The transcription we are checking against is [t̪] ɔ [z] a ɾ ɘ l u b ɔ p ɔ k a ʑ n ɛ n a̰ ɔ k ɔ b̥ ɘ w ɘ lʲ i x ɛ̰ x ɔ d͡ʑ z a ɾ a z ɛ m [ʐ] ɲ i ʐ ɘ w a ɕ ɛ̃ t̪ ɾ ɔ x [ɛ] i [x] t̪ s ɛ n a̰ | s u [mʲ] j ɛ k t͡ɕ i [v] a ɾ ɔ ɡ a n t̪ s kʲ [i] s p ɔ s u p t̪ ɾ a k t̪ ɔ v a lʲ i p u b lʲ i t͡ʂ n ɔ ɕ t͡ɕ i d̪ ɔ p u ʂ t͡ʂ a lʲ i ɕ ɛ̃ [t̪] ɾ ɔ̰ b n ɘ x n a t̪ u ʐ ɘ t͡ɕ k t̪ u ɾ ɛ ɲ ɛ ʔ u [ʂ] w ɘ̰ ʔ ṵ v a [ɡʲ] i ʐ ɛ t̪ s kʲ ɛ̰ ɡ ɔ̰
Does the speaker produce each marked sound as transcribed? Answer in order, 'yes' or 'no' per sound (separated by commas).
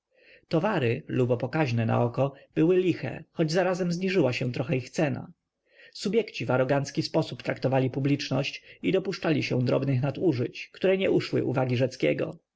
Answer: yes, no, no, yes, yes, no, yes, yes, no, yes, yes